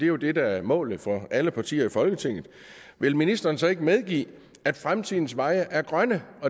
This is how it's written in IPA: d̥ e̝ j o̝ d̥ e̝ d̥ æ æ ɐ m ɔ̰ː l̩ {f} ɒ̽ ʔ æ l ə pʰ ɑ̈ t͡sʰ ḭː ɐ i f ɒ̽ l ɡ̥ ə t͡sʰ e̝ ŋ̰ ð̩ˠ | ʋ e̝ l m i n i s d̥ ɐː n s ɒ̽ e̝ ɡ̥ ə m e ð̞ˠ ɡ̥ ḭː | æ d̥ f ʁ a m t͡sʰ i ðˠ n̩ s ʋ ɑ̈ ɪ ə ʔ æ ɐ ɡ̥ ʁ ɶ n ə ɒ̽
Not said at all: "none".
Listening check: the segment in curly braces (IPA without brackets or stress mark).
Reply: f